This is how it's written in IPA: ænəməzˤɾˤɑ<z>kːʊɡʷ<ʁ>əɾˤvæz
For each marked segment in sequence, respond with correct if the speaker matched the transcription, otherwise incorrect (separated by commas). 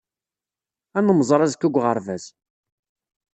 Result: correct, correct